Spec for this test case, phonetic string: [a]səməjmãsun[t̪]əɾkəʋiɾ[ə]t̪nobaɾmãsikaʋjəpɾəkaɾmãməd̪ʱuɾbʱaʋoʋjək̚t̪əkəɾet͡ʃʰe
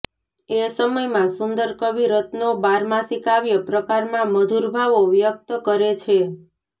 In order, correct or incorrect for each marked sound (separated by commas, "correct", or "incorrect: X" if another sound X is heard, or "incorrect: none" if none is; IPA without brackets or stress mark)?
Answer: incorrect: e, incorrect: d̪, correct